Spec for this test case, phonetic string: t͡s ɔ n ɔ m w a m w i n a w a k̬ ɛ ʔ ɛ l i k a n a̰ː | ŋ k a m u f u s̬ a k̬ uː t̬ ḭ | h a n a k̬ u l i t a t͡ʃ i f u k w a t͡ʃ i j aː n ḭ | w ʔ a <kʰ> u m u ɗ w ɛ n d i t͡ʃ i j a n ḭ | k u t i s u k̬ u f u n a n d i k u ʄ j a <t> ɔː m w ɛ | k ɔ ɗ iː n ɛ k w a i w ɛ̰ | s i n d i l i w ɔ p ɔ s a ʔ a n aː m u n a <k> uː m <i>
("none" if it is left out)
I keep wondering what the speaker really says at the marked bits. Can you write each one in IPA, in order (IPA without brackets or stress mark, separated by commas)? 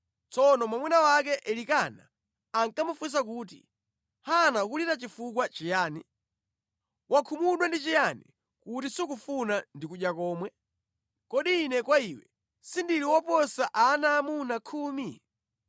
kʰ, k, kʰ, i